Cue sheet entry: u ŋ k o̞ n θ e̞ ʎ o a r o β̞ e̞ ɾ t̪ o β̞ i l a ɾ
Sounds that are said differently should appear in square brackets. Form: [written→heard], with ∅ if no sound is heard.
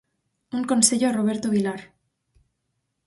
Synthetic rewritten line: u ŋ k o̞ n [θ→s] e̞ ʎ o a r o β̞ e̞ ɾ t̪ o β̞ i l a ɾ